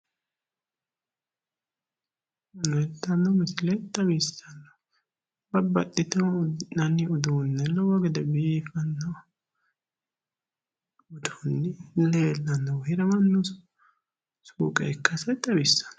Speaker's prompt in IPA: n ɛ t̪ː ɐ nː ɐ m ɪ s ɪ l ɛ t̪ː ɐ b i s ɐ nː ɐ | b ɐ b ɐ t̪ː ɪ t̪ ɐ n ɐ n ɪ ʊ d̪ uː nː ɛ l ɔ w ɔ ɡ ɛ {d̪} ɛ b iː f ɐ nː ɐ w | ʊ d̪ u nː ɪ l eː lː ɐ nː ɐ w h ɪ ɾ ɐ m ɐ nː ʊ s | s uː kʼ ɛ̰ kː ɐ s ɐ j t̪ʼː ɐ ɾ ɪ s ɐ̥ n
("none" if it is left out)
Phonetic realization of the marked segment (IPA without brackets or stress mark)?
d̪